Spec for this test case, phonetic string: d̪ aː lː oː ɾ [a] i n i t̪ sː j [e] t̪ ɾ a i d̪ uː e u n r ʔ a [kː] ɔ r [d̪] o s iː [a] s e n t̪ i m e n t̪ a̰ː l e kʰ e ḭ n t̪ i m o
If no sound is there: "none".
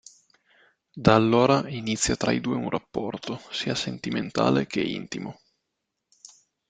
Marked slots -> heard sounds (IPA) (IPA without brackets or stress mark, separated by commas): a, a, pː, t̪, a